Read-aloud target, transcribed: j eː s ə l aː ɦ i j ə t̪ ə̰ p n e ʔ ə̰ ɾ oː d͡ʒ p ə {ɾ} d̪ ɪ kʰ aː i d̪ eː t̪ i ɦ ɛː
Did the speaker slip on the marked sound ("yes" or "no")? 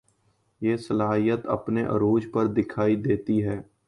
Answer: no